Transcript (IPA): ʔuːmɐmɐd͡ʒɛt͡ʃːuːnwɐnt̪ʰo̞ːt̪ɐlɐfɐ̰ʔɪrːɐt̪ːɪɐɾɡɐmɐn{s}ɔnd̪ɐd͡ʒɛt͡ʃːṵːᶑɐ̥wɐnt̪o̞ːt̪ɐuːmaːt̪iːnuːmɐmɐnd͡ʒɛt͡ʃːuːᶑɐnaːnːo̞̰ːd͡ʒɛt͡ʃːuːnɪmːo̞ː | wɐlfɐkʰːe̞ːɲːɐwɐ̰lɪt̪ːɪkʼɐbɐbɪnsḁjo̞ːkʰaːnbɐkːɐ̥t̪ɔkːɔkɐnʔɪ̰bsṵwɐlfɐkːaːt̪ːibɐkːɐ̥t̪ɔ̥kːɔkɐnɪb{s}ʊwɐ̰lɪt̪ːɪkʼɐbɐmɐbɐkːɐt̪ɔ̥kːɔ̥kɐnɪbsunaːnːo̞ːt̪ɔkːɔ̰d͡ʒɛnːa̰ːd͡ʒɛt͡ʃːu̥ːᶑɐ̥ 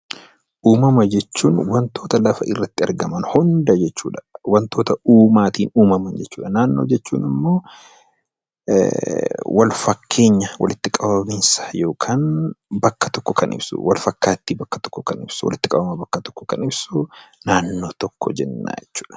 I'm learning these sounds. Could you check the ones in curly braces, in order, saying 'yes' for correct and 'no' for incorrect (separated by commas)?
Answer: no, yes